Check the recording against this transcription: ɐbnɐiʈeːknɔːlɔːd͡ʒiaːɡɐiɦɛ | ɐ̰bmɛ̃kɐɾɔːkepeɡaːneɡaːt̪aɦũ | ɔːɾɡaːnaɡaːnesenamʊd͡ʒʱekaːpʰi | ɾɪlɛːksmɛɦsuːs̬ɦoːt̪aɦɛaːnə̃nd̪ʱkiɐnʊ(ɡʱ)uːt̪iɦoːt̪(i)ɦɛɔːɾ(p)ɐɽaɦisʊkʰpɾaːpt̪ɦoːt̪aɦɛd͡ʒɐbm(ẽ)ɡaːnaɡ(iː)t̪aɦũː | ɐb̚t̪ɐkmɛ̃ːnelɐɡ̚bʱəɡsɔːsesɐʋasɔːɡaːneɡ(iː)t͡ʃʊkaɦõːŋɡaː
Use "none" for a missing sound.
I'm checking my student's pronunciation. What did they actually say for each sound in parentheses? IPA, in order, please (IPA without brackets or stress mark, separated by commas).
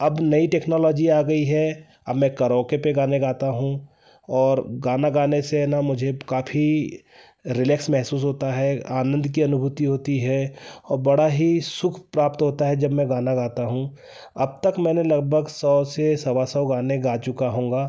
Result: bʱ, i, b, ɛ̃, aː, aː